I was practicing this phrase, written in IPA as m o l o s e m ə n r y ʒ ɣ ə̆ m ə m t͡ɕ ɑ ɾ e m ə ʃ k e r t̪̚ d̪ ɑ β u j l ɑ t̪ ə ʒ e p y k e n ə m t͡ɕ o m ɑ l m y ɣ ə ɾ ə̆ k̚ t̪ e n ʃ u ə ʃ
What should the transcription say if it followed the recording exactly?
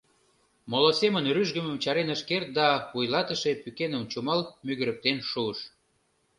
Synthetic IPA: m o l o s e m ə n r y ʒ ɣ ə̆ m ə m t͡ɕ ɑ ɾ e n ə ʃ k e r t̪̚ d̪ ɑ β u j l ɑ t̪ ə ʃ e p y k e n ə m t͡ɕ u m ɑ l m y ɣ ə ɾ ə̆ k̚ t̪ e n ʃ u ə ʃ